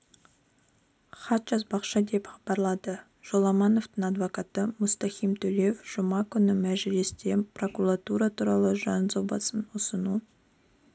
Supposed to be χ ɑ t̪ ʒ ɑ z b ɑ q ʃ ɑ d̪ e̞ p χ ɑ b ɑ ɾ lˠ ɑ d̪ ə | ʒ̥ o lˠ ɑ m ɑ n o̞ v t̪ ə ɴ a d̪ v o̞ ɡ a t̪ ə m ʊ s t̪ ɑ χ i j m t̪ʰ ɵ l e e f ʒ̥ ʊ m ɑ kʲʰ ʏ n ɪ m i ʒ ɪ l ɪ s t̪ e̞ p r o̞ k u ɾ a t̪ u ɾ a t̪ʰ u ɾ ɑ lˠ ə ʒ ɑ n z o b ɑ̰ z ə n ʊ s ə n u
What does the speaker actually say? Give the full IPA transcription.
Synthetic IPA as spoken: χ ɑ t̪ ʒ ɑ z b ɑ q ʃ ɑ d̪ e̞ p χ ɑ b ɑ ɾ lˠ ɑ d̪ ə | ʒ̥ o lˠ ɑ m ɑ n o̞ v t̪ ə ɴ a d̪ v o̞ k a t̪ ə m ʊ s t̪ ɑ χ i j m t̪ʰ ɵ l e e f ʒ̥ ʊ m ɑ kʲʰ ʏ n ɪ m æ ʒ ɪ l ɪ s t̪ e̞ p r o̞ k u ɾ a t̪ u ɾ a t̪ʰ u ɾ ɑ lˠ ə ʒ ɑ n z o b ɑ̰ s ə n ʊ s ə n u